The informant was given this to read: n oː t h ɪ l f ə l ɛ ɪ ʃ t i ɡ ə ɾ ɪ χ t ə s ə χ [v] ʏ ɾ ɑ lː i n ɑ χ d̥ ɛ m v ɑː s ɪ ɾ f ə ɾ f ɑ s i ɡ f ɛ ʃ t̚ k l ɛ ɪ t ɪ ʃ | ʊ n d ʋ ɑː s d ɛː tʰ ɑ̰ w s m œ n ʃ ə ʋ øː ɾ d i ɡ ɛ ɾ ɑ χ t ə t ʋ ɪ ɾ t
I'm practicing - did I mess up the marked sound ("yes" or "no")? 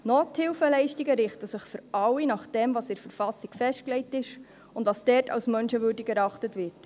yes